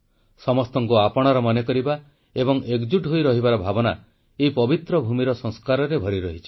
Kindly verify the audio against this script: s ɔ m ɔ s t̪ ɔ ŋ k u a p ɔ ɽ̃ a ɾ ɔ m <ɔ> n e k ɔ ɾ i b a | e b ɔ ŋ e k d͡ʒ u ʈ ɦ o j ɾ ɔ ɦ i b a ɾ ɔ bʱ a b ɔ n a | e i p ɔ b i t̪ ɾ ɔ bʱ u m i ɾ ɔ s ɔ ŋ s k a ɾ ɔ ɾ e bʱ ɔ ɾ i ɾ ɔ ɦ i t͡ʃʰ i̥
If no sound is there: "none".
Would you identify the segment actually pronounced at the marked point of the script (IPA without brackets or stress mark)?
ɔ